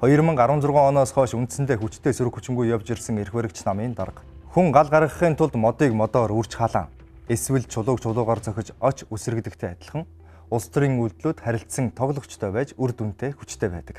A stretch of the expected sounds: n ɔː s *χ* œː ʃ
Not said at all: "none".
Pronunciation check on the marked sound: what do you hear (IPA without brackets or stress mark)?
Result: χ